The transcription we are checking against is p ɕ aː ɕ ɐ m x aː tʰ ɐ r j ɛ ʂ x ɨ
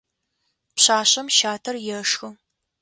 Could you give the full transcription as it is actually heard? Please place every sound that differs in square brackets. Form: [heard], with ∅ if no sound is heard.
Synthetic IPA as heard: p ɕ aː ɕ ɐ m [ʃ] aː tʰ ɐ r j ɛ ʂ x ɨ